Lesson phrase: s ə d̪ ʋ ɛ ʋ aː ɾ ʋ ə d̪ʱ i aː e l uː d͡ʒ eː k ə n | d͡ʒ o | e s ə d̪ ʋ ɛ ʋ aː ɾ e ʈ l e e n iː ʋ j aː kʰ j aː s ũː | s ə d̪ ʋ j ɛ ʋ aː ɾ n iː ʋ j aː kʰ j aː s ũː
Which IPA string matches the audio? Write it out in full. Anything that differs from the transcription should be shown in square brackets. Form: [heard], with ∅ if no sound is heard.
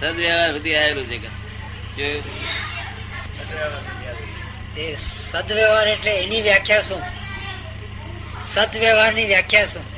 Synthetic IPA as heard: s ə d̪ ʋ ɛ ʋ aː ɾ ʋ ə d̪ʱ i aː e l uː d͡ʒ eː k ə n | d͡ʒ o | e s ə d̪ ʋ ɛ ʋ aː ɾ e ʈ l e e n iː ʋ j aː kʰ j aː s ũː | s ə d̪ ʋ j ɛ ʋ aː ɾ n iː ʋ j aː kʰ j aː s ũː